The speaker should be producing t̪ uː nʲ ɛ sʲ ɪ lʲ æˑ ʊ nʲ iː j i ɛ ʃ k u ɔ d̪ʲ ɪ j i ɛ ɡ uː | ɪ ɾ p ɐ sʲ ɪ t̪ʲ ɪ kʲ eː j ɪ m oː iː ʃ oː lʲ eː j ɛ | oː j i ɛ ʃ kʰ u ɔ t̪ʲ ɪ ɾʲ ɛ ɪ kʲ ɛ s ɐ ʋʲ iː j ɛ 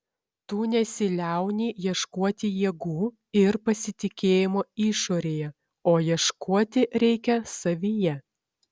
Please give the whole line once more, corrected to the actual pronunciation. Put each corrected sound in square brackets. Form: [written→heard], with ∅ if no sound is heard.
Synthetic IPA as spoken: t̪ uː nʲ ɛ sʲ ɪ lʲ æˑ ʊ nʲ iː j i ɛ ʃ k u ɔ [d̪ʲ→t̪ʲ] ɪ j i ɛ ɡ uː | ɪ ɾ p ɐ sʲ ɪ t̪ʲ ɪ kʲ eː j ɪ m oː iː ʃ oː [lʲ→ɾʲ] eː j ɛ | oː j i ɛ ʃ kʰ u ɔ t̪ʲ ɪ ɾʲ ɛ ɪ kʲ ɛ s ɐ ʋʲ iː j ɛ